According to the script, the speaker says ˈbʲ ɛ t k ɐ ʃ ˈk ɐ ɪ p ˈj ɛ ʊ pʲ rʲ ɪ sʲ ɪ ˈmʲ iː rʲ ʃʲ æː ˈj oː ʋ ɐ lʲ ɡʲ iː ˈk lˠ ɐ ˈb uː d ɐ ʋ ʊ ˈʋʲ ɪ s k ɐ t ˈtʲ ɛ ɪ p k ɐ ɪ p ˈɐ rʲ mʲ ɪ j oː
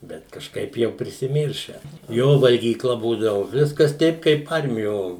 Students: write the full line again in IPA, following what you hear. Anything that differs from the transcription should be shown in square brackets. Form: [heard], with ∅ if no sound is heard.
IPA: ˈbʲ ɛ t k ɐ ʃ ˈk ɐ ɪ p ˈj ɛ ʊ pʲ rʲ ɪ sʲ ɪ ˈmʲ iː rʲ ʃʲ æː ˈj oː ʋ ɐ lʲ ɡʲ iː ˈk lˠ ɐ ˈb uː d ɐ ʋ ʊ ˈʋʲ ɪ s k ɐ [s] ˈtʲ ɛ ɪ p k ɐ ɪ p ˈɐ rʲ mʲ ɪ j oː